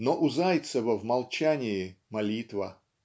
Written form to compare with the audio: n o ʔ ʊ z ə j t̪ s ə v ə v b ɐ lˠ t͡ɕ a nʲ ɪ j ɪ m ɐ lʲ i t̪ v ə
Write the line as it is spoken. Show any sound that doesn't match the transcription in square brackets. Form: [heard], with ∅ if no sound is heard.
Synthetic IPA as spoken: n o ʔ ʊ z [a] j t̪ s ə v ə v [m] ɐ lˠ t͡ɕ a nʲ ɪ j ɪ m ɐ lʲ i t̪ v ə